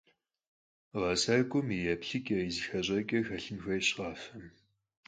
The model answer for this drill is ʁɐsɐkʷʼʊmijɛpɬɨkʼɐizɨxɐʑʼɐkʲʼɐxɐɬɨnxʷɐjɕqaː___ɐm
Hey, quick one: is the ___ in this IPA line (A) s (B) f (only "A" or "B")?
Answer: B